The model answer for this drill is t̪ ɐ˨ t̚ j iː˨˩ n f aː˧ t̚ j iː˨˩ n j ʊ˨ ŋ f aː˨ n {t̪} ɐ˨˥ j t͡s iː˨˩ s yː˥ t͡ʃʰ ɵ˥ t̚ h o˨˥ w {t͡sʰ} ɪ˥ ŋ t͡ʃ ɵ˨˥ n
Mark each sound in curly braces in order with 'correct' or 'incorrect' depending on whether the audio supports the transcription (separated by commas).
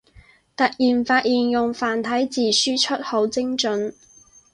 incorrect, incorrect